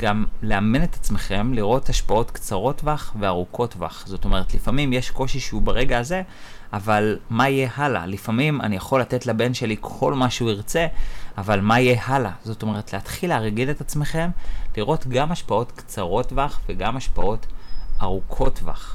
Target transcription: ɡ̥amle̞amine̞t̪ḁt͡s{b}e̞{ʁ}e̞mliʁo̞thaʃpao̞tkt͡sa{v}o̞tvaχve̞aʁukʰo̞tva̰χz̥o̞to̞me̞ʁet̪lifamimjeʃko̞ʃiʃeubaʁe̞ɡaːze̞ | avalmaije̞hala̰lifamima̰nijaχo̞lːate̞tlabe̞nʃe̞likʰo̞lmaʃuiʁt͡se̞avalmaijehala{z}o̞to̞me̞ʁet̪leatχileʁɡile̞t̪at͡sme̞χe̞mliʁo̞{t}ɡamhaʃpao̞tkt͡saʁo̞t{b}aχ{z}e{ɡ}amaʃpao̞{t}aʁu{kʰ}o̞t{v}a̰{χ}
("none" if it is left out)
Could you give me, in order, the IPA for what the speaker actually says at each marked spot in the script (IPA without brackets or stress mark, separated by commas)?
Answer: m, χ, ʁ, z, t, v, v, ɡ, t, kʰ, v, χ